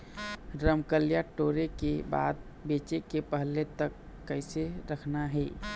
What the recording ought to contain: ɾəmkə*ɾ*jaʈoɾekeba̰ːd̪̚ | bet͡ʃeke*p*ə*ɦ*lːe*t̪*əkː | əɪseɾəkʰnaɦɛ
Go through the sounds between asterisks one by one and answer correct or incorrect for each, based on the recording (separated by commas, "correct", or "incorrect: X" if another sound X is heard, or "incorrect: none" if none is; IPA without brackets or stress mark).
incorrect: l, correct, correct, correct